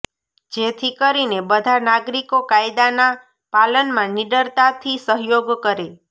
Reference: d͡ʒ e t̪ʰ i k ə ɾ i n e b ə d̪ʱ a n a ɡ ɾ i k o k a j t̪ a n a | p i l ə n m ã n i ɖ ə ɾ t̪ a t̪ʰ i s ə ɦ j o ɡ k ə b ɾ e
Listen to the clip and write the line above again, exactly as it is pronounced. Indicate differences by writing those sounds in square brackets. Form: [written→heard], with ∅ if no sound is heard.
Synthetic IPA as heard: d͡ʒ e t̪ʰ i k ə ɾ i n e b ə d̪ʱ a n a ɡ ɾ i k o k a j [t̪→d̪] a n a | p [i→a] l ə n m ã n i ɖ ə ɾ t̪ a t̪ʰ i s ə ɦ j o ɡ k ə [b→∅] ɾ e